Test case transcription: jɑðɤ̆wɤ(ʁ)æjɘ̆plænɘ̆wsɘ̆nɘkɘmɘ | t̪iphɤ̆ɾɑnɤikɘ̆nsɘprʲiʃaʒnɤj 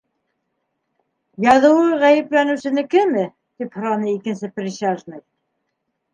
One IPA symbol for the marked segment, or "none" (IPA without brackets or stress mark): ʁ